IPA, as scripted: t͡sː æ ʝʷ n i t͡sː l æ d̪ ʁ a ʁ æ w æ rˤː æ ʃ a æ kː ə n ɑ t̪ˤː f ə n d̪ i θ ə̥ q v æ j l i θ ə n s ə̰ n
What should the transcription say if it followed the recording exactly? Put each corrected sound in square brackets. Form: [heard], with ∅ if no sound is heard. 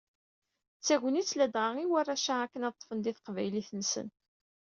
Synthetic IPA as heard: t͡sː æ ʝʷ n i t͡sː l æ d̪ ʁ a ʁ [i] w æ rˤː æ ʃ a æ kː ə n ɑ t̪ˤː f ə n d̪ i θ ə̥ q v æ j l i θ ə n s ə̰ n